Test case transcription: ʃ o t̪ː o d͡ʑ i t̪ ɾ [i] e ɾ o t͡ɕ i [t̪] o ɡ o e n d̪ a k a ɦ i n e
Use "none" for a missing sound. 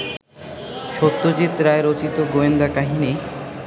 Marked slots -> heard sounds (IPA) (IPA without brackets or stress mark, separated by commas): a, t̪